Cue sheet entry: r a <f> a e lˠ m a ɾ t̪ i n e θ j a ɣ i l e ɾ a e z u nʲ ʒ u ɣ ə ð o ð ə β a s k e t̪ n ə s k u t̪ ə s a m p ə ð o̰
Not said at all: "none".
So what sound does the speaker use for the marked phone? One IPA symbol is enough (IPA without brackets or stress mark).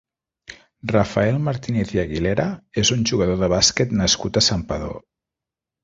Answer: f